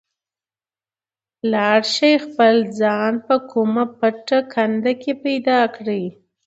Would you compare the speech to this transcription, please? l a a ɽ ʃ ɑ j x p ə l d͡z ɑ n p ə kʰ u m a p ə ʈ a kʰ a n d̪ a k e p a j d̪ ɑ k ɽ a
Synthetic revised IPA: l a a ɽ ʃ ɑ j x p ə l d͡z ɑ n p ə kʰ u m a p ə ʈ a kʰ a n d̪ a k e p a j d̪ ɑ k ɽ i